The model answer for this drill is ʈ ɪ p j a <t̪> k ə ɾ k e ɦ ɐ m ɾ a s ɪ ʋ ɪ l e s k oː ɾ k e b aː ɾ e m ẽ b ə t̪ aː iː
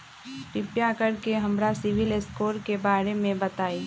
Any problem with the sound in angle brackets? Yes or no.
yes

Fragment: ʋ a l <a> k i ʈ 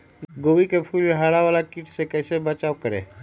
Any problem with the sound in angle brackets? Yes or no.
no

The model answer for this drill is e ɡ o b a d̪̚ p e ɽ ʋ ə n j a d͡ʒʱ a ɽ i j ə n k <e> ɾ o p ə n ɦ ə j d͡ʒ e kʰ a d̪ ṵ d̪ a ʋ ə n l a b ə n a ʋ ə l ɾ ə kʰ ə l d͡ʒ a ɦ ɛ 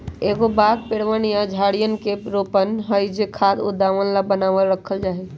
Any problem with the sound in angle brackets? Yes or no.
no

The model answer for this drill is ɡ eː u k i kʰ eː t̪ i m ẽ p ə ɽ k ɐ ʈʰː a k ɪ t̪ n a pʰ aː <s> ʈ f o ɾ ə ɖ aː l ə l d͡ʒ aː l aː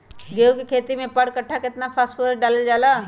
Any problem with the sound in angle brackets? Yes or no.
no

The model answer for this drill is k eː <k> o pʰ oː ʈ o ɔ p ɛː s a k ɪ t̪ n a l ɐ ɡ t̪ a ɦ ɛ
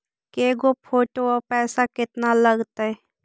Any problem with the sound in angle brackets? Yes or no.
yes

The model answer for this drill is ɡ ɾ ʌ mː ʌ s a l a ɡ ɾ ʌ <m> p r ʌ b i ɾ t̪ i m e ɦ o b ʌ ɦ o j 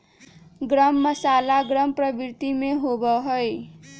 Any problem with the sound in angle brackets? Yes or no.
no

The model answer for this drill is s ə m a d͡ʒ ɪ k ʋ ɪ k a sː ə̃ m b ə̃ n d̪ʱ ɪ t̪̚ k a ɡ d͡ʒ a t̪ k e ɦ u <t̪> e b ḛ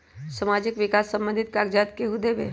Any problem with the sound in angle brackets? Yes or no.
yes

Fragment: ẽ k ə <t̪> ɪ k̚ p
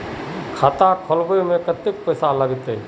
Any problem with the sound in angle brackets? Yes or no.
no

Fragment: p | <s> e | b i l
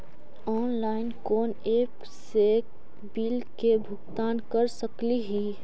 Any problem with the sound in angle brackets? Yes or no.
no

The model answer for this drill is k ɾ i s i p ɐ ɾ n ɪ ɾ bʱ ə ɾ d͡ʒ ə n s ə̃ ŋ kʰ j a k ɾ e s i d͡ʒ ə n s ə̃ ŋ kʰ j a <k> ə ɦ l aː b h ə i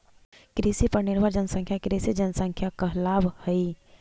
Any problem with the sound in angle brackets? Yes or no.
no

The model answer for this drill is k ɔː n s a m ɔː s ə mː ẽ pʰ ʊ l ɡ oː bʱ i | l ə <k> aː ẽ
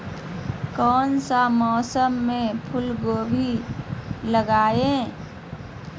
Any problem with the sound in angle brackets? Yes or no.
yes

